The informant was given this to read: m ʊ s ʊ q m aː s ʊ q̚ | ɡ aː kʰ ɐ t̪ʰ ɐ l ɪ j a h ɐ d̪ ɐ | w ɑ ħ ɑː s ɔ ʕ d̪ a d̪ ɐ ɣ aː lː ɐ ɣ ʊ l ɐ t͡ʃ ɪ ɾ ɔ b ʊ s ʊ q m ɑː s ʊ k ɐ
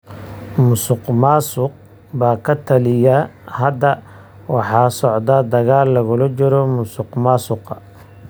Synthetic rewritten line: m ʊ s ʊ q m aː s ʊ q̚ | b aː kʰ ɐ t̪ʰ ɐ l ɪ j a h ɐ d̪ ɐ | w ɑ ħ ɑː s ɔ ʕ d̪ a d̪ ɐ ɣ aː lː ɐ ɣ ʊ l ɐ t͡ʃ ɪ ɾ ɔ m ʊ s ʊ q m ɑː s ʊ q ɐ